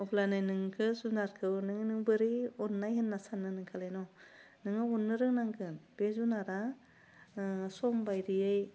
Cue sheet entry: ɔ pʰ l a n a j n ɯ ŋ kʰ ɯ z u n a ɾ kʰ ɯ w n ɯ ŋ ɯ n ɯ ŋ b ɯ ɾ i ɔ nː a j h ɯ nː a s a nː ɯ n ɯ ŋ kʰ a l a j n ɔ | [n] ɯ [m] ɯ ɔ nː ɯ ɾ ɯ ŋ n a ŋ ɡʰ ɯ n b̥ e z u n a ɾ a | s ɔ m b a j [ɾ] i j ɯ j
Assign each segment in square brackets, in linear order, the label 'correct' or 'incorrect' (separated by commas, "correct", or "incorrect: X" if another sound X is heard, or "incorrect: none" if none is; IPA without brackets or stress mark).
correct, incorrect: ŋ, correct